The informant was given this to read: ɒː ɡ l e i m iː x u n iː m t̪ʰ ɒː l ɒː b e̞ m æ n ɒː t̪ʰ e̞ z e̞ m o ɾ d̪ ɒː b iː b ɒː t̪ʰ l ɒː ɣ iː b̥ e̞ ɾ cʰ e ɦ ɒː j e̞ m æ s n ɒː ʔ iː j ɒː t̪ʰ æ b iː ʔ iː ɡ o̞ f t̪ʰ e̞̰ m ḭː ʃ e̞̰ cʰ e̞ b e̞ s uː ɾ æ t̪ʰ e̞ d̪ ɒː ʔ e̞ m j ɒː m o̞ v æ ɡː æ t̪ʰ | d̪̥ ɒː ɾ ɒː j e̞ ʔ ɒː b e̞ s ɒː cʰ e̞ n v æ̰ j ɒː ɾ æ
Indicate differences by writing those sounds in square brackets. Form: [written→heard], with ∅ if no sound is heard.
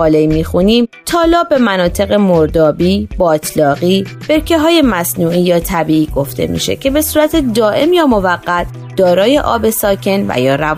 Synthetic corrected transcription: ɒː [ɡ→∅] l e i m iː x u n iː m t̪ʰ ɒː l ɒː b e̞ m æ n ɒː t̪ʰ e̞ [z→ɣ] e̞ m o ɾ d̪ ɒː b iː b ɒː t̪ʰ l ɒː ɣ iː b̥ e̞ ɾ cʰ e ɦ ɒː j e̞ m æ s n [ɒː→uː] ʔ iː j ɒː t̪ʰ æ b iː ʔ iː ɡ o̞ f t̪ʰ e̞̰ m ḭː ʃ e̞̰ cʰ e̞ b e̞ s uː ɾ æ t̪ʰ e̞ d̪ ɒː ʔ e̞ m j ɒː m o̞ v æ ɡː æ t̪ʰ | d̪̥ ɒː ɾ ɒː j e̞ ʔ ɒː b e̞ s ɒː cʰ e̞ n v æ̰ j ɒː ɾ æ